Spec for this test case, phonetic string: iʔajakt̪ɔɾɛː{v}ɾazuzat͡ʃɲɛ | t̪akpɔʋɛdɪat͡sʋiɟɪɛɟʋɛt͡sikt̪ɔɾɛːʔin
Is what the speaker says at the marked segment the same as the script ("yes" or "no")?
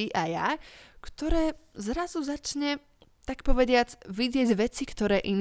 no